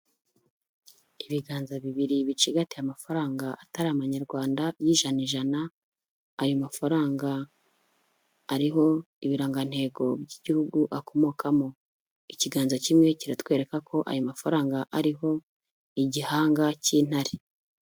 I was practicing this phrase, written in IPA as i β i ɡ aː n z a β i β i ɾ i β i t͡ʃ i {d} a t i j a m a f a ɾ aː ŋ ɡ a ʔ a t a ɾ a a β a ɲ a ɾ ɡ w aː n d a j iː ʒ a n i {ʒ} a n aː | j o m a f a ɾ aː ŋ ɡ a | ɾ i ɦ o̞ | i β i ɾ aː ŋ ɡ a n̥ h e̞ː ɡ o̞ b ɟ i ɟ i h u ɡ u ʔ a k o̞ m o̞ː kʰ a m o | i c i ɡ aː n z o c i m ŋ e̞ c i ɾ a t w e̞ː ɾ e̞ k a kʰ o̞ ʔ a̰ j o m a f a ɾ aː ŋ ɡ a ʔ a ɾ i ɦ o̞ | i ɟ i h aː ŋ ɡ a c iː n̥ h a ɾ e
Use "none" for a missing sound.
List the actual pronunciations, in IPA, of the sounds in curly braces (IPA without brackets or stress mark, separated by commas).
ɡ, ʒ